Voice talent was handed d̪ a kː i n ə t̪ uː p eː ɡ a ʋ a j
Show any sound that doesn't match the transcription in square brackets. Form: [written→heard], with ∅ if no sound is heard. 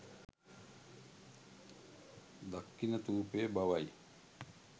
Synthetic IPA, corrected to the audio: d̪ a kː i n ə t̪ uː p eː [ɡ→b] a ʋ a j